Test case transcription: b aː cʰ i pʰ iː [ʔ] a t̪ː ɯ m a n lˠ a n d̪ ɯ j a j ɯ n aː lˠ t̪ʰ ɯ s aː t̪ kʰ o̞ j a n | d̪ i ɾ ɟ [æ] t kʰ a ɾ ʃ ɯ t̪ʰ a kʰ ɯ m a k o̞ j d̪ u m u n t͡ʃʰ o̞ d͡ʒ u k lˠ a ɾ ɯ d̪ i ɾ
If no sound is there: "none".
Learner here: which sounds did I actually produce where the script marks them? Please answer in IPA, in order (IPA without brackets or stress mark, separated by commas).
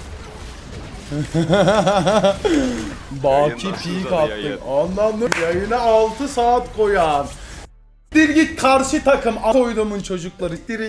k, i